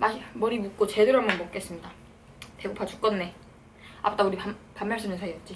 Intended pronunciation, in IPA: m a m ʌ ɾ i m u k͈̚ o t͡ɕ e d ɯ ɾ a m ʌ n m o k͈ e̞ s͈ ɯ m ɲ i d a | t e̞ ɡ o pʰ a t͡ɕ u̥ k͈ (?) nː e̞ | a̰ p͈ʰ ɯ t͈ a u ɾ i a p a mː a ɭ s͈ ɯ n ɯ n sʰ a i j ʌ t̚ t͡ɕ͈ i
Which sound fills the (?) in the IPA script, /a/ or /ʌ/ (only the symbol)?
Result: ʌ